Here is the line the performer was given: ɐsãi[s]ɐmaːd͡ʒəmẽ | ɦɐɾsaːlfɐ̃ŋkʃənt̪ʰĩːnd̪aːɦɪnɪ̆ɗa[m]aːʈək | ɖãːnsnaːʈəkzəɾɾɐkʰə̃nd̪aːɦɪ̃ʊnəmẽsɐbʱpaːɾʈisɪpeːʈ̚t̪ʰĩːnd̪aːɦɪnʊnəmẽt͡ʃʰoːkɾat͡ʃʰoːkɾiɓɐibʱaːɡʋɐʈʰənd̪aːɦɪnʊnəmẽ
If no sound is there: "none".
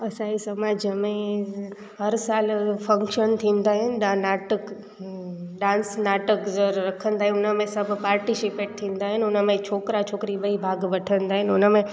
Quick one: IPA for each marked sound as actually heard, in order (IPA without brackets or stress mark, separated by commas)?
s, n